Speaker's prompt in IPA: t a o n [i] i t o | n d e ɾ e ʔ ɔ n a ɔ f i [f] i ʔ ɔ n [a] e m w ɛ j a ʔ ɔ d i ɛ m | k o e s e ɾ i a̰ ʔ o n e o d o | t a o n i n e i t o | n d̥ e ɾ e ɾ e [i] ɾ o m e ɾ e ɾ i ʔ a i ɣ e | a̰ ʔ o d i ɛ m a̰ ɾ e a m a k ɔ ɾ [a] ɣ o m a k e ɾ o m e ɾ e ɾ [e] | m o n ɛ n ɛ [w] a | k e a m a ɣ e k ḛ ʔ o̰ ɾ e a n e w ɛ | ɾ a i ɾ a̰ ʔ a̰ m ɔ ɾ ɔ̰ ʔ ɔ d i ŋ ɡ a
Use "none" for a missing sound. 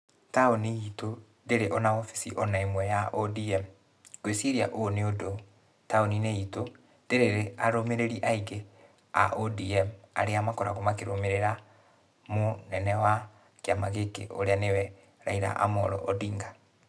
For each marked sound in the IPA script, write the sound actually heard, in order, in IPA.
i, s, a, a, a, a, w

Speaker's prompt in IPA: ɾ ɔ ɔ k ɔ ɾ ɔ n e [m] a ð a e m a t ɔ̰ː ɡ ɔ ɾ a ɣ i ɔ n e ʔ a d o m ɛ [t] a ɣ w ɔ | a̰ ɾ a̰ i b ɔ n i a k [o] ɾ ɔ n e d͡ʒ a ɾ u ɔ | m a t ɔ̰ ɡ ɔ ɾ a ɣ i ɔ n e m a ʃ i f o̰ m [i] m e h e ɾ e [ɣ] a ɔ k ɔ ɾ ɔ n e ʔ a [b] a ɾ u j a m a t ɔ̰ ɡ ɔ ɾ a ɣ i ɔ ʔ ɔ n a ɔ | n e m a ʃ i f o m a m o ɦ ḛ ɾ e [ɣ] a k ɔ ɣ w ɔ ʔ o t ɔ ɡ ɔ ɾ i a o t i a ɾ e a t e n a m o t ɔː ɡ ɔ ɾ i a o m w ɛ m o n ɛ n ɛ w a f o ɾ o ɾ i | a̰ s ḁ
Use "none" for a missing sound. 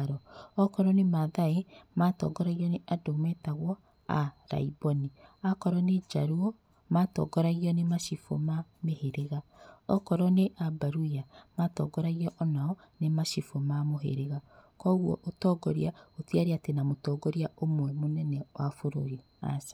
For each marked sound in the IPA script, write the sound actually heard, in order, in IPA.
m, t, ɔ, a, ɣ, b, ɣ

